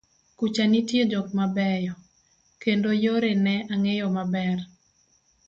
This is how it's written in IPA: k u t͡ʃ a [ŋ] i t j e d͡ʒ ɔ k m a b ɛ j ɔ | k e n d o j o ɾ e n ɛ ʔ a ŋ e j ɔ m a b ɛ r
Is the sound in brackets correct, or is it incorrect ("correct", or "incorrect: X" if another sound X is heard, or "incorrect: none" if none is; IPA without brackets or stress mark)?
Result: incorrect: n